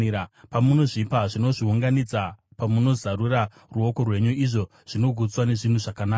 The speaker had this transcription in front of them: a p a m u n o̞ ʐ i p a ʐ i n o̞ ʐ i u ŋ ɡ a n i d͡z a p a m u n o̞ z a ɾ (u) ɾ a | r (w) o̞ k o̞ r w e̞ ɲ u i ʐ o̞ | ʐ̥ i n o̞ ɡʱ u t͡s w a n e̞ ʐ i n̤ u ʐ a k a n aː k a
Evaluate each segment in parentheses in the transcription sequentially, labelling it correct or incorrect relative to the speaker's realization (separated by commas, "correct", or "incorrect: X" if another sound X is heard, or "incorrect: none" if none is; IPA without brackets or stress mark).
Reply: correct, incorrect: u